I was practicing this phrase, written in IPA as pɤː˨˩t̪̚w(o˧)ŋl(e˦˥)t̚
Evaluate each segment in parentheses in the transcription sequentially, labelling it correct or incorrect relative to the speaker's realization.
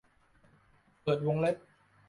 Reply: correct, correct

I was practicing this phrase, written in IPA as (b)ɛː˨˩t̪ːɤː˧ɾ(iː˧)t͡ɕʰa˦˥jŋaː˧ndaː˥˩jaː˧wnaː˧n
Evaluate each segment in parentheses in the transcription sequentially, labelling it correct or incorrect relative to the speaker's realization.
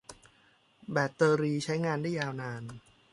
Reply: correct, correct

